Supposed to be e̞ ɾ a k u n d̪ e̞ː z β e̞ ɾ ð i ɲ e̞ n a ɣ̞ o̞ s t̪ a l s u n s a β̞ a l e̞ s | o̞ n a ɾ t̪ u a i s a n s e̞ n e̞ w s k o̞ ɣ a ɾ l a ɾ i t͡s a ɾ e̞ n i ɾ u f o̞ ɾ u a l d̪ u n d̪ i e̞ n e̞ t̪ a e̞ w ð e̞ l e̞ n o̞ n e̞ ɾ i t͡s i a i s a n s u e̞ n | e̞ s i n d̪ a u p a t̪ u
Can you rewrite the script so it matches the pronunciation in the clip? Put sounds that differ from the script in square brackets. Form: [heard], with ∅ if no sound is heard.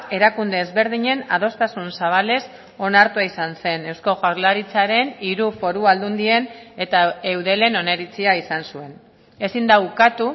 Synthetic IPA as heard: e̞ ɾ a k u n d̪ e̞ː z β e̞ ɾ ð i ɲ e̞ n a [ð̞] o̞ s t̪ a [∅] s u n s a β̞ a l e̞ s | o̞ n a ɾ t̪ u a i s a n s e̞ n e̞ w s k o̞ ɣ a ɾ l a ɾ i t͡s a ɾ e̞ n i ɾ u f o̞ ɾ u a l d̪ u n d̪ i e̞ n e̞ t̪ a e̞ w ð e̞ l e̞ n o̞ n e̞ ɾ i t͡s i a i s a n s u e̞ n | e̞ s i n d̪ a u [k] a t̪ u